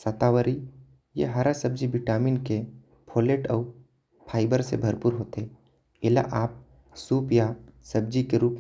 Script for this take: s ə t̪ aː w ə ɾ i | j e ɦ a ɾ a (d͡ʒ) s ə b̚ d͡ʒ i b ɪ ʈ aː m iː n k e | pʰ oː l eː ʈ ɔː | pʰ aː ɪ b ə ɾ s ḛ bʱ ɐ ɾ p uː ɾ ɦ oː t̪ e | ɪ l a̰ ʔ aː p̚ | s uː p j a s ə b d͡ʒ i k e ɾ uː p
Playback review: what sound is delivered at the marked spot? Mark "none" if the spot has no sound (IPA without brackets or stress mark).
none